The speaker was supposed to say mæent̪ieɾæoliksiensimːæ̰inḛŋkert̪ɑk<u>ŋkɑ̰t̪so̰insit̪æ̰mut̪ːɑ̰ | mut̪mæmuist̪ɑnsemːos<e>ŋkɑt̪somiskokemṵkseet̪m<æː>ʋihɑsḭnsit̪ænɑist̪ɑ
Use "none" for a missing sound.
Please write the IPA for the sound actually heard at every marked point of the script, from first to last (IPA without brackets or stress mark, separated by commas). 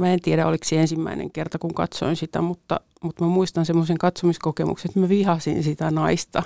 u, e, æ